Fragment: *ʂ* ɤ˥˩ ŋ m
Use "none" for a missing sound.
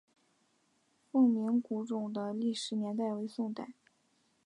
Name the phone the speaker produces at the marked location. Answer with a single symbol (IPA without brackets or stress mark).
f